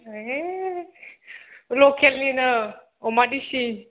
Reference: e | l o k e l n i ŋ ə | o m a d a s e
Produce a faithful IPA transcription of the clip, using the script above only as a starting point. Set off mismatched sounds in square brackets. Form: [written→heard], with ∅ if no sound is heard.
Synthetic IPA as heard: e | l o k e l n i [ŋ→n] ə | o m a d [a→i] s [e→i]